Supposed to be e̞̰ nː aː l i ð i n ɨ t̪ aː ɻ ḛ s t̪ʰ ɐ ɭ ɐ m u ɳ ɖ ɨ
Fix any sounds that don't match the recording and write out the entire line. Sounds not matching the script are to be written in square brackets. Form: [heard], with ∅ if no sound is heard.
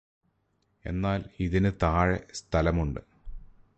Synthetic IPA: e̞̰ nː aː l i ð i n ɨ t̪ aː ɻ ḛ s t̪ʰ ɐ [l] ɐ m u ɳ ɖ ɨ